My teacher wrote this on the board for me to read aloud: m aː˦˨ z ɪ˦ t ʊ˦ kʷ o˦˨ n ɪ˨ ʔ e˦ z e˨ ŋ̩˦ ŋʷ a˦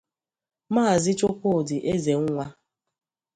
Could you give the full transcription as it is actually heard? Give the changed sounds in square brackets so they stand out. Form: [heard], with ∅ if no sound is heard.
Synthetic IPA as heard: m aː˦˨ z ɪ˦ [t͡ʃ] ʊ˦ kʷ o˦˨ [d] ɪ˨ ʔ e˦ z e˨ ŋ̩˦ ŋʷ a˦